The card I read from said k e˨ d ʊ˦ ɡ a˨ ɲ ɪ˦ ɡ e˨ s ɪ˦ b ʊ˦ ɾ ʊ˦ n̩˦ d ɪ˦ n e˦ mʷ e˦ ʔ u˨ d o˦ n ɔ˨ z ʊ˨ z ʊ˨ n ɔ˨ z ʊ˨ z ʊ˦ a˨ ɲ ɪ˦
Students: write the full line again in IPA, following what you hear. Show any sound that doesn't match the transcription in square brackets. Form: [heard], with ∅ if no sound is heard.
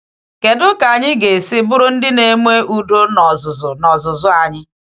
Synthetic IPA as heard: k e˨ d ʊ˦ [k] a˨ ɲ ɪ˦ ɡ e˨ s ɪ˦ b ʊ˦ ɾ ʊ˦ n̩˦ d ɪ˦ n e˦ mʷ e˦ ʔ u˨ d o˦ n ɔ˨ z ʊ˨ z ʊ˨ n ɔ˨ z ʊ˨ z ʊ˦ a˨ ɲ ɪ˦

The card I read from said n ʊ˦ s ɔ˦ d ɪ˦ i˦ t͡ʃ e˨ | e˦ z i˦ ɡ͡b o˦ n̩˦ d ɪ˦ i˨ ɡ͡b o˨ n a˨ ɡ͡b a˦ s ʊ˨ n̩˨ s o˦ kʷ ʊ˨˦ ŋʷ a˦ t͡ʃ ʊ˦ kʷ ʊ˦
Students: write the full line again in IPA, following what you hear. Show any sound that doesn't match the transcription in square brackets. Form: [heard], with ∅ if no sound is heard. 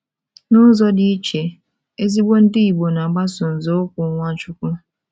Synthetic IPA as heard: n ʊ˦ [z] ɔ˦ d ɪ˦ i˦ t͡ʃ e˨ | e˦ z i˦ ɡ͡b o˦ n̩˦ d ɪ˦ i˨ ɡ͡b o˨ n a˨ ɡ͡b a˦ s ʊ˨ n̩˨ [z] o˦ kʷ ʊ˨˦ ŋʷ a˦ t͡ʃ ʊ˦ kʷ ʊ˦

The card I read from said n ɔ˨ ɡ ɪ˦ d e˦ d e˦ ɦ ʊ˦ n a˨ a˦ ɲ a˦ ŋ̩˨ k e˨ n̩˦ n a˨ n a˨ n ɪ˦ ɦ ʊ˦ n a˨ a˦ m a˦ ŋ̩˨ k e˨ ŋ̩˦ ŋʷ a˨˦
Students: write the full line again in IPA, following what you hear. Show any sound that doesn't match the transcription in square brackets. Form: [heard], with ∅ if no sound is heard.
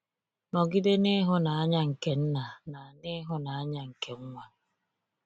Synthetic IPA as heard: n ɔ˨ ɡ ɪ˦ d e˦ [n] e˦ ɦ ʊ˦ n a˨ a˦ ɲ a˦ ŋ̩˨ k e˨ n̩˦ n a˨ n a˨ n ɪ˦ ɦ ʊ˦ n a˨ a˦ [ɲ] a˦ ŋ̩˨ k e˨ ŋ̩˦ ŋʷ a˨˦

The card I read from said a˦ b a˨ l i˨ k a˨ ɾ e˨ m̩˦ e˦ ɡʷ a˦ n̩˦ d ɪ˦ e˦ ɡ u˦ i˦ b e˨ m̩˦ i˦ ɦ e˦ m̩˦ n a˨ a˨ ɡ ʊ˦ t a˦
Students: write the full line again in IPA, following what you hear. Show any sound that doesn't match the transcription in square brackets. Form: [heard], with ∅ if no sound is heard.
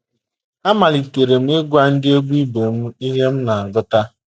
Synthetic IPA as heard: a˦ [m] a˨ l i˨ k [e˨] ɾ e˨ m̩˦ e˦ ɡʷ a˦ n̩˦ d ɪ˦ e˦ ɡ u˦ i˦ b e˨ m̩˦ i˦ ɦ e˦ m̩˦ n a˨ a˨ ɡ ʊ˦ t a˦

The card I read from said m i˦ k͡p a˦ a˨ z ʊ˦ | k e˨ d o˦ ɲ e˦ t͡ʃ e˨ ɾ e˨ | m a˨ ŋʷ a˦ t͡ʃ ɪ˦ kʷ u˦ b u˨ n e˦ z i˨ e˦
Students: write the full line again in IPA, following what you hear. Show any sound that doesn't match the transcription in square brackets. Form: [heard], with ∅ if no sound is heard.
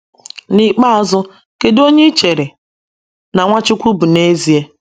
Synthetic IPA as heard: [n] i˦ k͡p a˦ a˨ z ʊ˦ | k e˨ d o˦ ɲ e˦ t͡ʃ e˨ ɾ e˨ | [n] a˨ ŋʷ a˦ t͡ʃ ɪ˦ kʷ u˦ b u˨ n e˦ z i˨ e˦

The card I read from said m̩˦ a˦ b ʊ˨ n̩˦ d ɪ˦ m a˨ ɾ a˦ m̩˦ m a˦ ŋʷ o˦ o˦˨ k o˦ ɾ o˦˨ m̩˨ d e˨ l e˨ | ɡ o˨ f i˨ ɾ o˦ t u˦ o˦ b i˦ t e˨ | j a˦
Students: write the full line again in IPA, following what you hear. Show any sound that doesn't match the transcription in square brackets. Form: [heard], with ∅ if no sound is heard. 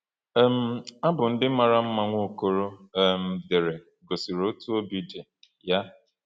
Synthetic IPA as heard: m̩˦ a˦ b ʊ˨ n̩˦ d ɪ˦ m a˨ ɾ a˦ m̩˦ m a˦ ŋʷ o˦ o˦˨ k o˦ ɾ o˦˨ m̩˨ d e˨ [ɾ] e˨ | ɡ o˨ [s] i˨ ɾ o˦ t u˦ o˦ b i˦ [d] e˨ | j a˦

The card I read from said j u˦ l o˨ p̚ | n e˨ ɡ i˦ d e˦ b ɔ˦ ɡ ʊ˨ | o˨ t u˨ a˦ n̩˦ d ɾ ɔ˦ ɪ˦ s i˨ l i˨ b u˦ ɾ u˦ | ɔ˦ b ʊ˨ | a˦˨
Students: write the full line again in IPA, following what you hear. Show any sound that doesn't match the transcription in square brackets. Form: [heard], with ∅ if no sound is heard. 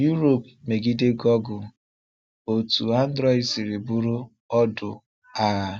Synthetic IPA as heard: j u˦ [ɾ] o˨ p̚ | [m] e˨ ɡ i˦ d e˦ [ɡ] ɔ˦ ɡ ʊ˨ | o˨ t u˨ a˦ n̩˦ d ɾ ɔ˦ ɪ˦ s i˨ [ɾ] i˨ b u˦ ɾ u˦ | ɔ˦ [d] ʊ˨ | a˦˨

